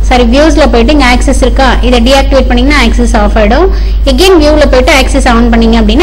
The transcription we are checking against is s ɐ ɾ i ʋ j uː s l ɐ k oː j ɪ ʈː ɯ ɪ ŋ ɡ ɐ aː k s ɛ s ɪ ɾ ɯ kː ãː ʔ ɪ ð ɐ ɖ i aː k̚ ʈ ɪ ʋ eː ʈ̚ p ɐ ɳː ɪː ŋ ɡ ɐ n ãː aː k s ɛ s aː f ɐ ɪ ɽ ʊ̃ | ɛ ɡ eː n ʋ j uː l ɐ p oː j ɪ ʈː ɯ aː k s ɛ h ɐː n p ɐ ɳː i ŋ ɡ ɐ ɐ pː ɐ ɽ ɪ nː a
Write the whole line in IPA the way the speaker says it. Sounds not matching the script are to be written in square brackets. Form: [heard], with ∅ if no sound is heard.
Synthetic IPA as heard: s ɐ ɾ i ʋ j uː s l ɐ [p] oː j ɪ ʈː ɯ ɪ ŋ ɡ ɐ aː k s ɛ s ɪ ɾ ɯ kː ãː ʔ ɪ ð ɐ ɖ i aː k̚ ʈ ɪ ʋ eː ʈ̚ p ɐ ɳː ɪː ŋ ɡ ɐ n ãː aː k s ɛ s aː f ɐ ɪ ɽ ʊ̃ | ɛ ɡ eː n ʋ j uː l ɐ p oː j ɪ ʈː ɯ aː k s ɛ [s] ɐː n p ɐ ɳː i ŋ ɡ ɐ ɐ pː ɐ ɽ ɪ nː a

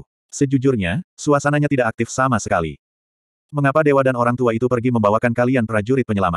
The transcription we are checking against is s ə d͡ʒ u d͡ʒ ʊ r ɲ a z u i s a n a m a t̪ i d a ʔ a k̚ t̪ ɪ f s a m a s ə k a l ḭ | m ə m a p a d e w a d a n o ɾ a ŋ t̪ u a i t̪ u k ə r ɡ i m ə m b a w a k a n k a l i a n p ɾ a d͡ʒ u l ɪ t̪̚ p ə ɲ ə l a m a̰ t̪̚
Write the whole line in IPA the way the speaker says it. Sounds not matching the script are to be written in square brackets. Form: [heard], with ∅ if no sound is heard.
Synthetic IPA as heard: s ə d͡ʒ u d͡ʒ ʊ r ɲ a [s] u [a] s a n a [ɲ] a t̪ i d a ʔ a k̚ t̪ ɪ f s a m a s ə k a l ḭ | m ə [ŋ] a p a d e w a d a n o ɾ a ŋ t̪ u a i t̪ u [p] ə r ɡ i m ə m b a w a k a n k a l i a n p ɾ a d͡ʒ u [ɾ] ɪ t̪̚ p ə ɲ ə l a m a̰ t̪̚

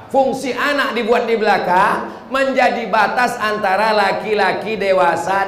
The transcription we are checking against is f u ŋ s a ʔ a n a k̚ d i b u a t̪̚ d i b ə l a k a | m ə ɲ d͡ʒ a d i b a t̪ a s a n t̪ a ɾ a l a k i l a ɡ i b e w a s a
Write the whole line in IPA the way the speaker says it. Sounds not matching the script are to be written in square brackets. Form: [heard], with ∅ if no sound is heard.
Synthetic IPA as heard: f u ŋ s [i] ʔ a n a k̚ d i b u a t̪̚ d i b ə l a k a | m ə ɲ d͡ʒ a d i b a t̪ a s a n t̪ a ɾ a l a k i l a [k] i [d] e w a s a

